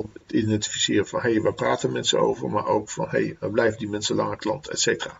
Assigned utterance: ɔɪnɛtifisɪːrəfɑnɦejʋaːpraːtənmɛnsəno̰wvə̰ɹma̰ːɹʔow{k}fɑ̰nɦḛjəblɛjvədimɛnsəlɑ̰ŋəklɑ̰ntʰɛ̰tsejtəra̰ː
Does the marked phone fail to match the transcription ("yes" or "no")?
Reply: no